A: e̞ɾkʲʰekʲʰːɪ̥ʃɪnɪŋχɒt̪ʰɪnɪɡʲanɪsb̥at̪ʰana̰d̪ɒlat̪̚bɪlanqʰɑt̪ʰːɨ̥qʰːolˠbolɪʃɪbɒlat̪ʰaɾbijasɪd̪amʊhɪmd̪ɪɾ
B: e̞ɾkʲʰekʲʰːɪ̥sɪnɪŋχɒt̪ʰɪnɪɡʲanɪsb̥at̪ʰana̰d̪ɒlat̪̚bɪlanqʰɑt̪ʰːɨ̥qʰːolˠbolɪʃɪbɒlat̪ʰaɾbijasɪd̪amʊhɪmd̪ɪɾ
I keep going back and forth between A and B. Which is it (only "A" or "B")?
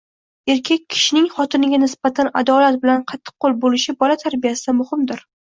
A